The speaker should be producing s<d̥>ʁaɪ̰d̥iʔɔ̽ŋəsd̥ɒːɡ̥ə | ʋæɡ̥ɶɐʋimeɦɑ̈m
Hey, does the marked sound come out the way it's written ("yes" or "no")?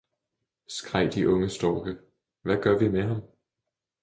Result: no